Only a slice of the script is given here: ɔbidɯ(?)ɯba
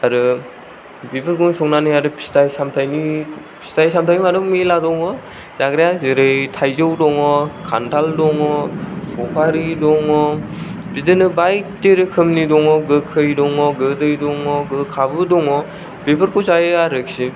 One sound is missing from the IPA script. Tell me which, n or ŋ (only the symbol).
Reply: n